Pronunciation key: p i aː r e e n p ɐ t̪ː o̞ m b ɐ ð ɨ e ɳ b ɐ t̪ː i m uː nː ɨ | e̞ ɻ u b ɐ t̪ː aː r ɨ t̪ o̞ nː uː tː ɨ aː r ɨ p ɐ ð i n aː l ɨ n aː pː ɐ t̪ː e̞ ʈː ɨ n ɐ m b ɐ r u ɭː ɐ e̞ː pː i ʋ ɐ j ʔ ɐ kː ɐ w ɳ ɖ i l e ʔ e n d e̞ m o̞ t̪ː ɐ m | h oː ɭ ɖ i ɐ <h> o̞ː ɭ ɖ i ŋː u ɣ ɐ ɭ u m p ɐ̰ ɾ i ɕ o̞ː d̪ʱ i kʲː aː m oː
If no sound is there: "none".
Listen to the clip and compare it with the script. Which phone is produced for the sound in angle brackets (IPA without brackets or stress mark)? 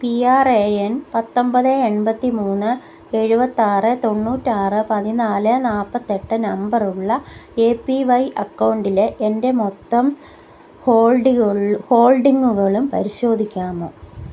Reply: h